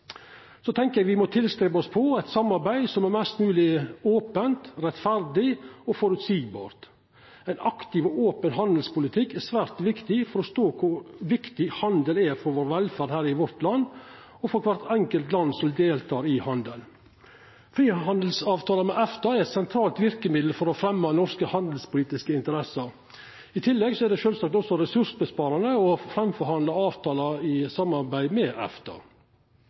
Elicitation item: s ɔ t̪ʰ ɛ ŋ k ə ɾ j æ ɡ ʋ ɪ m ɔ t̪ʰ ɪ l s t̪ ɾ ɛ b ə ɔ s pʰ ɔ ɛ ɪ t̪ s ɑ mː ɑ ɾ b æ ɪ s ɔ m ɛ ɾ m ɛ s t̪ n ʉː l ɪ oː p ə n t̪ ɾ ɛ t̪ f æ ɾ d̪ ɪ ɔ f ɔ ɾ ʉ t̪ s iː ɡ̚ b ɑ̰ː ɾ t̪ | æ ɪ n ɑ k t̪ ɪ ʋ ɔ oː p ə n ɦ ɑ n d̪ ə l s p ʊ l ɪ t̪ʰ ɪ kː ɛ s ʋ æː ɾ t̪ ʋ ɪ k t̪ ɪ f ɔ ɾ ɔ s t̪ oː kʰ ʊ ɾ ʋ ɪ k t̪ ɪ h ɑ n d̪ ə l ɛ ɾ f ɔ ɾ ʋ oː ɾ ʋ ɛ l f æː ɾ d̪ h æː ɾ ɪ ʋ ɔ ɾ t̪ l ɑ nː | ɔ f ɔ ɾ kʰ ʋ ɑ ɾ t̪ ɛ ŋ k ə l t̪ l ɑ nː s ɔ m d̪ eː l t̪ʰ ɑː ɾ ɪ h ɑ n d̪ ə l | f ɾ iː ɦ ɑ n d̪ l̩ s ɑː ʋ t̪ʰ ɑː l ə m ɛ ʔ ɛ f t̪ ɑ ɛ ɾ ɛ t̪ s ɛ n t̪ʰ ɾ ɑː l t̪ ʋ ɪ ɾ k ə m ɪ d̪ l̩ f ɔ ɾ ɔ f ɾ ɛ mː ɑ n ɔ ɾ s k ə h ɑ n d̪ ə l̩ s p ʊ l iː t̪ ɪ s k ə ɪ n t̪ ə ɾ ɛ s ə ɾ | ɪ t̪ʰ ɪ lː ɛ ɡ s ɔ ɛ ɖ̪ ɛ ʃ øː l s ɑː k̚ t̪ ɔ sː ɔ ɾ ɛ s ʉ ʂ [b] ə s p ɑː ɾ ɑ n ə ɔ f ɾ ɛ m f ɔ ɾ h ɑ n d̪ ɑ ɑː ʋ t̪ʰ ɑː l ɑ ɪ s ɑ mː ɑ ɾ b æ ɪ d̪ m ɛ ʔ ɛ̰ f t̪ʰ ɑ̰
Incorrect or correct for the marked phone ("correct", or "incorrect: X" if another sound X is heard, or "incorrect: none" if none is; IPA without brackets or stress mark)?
correct